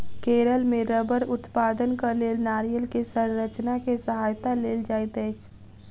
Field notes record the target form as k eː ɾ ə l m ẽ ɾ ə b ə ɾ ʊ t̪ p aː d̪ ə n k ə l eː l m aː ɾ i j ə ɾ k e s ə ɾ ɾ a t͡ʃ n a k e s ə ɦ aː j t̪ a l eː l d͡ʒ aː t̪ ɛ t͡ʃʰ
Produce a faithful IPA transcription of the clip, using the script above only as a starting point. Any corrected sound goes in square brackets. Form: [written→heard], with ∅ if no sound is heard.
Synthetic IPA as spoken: k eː ɾ ə l m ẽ ɾ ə b ə ɾ ʊ t̪ p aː d̪ ə n k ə l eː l [m→n] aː ɾ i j ə [ɾ→l] k e s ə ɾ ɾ [a→ə] t͡ʃ n a k e s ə ɦ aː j t̪ a l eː l d͡ʒ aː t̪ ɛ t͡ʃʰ